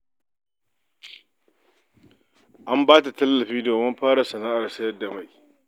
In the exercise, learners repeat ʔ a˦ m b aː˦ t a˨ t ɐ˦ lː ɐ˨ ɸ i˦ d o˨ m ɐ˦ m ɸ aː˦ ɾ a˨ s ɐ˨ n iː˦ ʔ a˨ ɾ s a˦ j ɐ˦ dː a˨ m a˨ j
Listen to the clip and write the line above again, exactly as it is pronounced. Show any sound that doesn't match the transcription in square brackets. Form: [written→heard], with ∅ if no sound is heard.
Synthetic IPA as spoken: ʔ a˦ m b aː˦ t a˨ t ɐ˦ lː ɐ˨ ɸ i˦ d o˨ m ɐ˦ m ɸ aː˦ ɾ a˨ s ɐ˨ n [iː˦→aː˦] ʔ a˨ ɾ s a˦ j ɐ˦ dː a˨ m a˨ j